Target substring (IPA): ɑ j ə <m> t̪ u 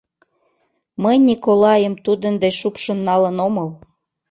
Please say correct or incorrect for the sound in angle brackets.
correct